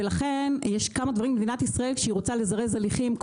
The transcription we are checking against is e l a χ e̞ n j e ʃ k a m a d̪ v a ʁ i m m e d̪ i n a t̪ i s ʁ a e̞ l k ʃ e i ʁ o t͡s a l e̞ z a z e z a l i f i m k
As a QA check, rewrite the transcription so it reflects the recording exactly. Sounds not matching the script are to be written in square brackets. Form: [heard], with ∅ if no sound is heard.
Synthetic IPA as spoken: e l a χ e̞ n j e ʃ k a m a d̪ v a ʁ i m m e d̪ i n a t̪ i s ʁ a e̞ l k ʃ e i ʁ o t͡s a l e̞ z a [ʁ] e z a l i [χ] i m k